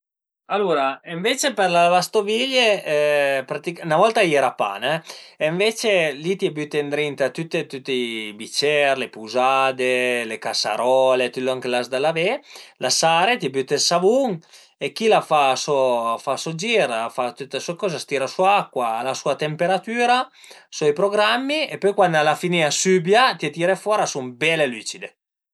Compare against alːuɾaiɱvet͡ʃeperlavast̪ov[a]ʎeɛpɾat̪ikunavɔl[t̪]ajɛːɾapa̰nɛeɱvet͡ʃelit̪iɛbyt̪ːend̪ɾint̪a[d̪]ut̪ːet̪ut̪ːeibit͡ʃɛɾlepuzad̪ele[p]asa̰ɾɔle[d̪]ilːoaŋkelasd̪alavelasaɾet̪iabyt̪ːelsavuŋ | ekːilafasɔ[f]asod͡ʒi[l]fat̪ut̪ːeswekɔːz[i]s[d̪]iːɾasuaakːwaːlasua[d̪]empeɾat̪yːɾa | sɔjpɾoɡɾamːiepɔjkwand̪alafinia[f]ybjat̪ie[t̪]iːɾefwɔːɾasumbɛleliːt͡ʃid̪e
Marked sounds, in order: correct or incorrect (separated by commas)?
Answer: incorrect, correct, incorrect, incorrect, incorrect, correct, incorrect, incorrect, incorrect, incorrect, incorrect, correct